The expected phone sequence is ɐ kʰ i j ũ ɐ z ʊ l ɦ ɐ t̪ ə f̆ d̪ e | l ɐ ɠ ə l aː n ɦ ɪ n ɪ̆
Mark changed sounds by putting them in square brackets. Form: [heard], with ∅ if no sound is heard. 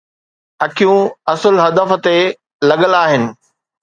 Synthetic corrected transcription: ɐ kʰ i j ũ ɐ [s] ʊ l ɦ ɐ [d̪] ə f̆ [t̪] e | l ɐ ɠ ə l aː [∅] ɦ ɪ n ɪ̆